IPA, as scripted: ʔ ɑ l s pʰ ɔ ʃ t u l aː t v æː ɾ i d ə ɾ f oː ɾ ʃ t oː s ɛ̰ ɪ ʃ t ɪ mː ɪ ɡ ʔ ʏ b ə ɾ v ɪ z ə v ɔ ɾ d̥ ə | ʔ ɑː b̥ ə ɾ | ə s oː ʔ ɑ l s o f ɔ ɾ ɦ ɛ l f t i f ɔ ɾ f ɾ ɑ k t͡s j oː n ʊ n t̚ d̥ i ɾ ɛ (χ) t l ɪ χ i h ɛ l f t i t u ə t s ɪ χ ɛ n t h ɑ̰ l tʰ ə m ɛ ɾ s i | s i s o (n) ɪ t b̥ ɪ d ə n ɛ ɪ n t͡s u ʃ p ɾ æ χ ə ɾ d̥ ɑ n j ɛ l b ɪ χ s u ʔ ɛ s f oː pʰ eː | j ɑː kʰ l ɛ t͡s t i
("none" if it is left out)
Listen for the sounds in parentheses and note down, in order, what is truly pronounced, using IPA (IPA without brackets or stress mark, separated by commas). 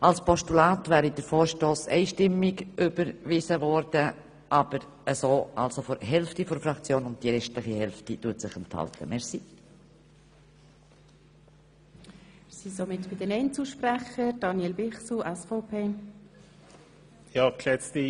ʃ, m